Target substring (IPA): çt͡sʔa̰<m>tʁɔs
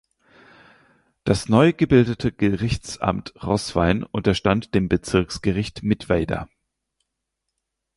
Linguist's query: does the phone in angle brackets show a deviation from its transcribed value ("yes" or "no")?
no